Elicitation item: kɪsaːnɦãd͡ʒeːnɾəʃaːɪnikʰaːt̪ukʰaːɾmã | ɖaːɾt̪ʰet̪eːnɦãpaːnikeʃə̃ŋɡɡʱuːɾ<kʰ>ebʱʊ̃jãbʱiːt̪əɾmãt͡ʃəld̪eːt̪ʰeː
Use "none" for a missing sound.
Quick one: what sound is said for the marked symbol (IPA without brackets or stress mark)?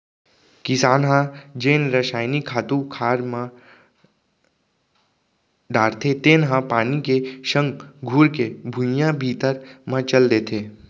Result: k